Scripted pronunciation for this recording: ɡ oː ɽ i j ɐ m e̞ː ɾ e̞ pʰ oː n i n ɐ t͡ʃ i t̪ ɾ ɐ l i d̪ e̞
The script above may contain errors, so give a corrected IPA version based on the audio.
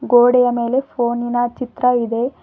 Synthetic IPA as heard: ɡ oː ɽ ɛ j ɐ m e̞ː l e̞ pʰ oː n i n ɐ t͡ʃ i t̪ ɾ ɐ i d̪ e̞